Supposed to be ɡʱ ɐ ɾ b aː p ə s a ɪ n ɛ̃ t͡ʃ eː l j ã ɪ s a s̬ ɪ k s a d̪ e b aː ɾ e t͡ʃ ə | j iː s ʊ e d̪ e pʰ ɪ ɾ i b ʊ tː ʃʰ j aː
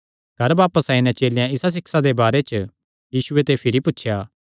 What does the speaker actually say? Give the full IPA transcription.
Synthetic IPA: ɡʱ ɐ ɾ b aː p ə s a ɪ n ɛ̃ t͡ʃ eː l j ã ɪ s a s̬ ɪ k s a d̪ e b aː ɾ e t͡ʃ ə | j iː s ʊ e t̪ e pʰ ɪ ɾ i p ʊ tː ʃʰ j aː